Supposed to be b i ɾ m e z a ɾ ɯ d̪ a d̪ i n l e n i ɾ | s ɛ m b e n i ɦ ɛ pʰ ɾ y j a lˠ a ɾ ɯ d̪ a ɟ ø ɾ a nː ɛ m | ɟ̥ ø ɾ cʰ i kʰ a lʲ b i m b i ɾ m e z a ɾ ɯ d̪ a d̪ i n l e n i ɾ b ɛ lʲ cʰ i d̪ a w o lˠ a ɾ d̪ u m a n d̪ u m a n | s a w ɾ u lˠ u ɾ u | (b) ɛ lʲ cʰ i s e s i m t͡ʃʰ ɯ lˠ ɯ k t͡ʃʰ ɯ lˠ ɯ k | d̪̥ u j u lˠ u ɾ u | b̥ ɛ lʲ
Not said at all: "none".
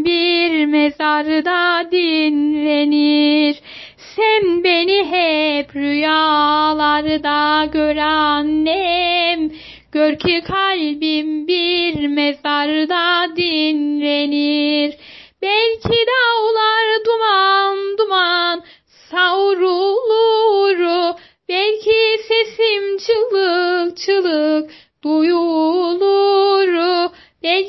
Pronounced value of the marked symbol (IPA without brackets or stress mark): b